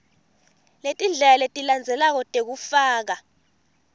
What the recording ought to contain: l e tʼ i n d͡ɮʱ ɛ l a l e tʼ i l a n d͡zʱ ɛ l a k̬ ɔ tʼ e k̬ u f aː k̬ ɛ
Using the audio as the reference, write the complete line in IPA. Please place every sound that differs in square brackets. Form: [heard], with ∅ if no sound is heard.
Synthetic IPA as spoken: l e tʼ i n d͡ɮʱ ɛ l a l e tʼ i l a n d͡zʱ ɛ l a k̬ ɔ tʼ e k̬ u f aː k̬ [a]

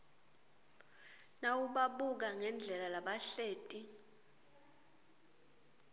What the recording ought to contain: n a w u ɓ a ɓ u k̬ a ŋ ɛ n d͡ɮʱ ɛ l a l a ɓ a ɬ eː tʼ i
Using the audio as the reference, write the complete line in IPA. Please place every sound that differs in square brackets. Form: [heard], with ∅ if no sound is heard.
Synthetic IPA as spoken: n a w u ɓ a ɓ u k̬ a ŋ ɛ n d͡ɮʱ ɛ l a l a ɓ a ɬ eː tʼ i

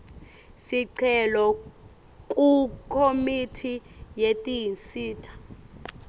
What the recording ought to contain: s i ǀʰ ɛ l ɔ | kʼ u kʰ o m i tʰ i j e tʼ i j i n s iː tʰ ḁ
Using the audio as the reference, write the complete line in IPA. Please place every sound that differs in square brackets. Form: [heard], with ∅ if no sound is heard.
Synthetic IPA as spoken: s i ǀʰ ɛ l ɔ | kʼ u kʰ o m i tʰ i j e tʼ i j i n s iː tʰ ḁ

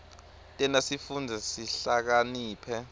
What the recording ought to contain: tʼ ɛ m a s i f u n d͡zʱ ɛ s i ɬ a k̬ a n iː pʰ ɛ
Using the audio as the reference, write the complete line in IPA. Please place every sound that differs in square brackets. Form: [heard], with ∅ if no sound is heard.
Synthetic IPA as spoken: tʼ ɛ [n] a s i f u n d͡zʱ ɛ s i ɬ a k̬ a n iː pʰ ɛ

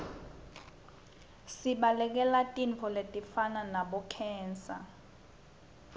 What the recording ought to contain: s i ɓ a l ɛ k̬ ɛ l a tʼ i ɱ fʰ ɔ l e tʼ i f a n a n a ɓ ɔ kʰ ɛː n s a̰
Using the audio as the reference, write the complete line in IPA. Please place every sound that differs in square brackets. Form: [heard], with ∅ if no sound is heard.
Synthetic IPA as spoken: s i ɓ a l ɛ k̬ ɛ l a tʼ i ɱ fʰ ɔ l e tʼ i f a n a n a ɓ ɔ kʰ ɛː n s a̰

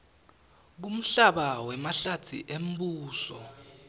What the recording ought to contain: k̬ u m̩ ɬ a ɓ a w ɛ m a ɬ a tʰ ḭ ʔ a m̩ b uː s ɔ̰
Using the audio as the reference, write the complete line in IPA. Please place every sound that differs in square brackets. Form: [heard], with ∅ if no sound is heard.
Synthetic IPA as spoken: k̬ u m̩ ɬ a ɓ a w ɛ m a ɬ a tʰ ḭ ʔ [e] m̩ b uː s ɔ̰

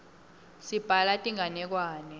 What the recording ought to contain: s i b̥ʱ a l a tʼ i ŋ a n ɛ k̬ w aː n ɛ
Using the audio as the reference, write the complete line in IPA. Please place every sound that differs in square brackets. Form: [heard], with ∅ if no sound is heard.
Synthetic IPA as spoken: s i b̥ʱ a l a tʼ i ŋ a n ɛ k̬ w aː n ɛ

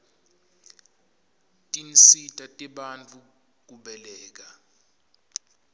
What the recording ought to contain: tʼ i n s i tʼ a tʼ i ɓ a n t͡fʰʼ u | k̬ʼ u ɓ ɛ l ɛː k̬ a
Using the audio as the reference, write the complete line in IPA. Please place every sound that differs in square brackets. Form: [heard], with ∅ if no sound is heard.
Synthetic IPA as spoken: tʼ i n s i tʼ a tʼ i ɓ a n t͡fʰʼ u | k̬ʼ u ɓ ɛ l ɛː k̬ a

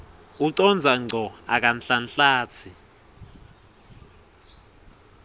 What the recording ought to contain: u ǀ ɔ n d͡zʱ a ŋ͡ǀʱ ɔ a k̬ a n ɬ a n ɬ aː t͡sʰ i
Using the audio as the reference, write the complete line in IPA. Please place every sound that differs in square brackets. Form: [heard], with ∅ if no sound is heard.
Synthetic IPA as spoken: u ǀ ɔ n d͡zʱ a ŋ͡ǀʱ ɔ a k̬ a n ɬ a n ɬ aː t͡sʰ i

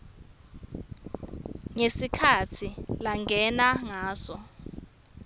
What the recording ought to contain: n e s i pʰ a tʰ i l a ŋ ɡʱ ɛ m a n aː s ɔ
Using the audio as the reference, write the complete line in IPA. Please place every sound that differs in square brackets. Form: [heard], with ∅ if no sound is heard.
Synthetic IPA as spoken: [ŋ] e s i [kʰ] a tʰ i l a ŋ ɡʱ ɛ [n] a [ŋ] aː s ɔ

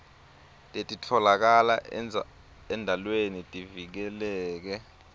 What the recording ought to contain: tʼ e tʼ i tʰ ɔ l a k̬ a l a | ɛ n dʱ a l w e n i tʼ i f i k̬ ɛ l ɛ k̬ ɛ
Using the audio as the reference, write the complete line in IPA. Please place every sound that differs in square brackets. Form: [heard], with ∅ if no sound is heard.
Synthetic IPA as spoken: tʼ e tʼ i tʰ ɔ l a k̬ a l a | ɛ n dʱ a l w e n i tʼ i [v] i k̬ ɛ l [ɛː] k̬ ɛ

